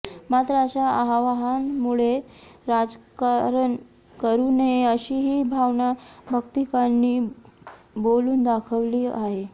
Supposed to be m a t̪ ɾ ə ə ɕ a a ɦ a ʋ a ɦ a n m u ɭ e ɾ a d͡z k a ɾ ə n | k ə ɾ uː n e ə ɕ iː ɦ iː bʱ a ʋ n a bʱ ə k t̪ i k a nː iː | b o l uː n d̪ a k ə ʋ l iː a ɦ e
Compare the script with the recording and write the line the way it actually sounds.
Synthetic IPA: m a t̪ ɾ ə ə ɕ a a ɦ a ʋ a ɦ a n m u ɭ e ɾ a d͡z k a ɾ ə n | k ə ɾ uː n e ə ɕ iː ɦ iː bʱ a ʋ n a bʱ ə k t̪ i k a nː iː | b o l uː n d̪ a kʰ ə ʋ l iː a ɦ e